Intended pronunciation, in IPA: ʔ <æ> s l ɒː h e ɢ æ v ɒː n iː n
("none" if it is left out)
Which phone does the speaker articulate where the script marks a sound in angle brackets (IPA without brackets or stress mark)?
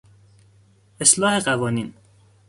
e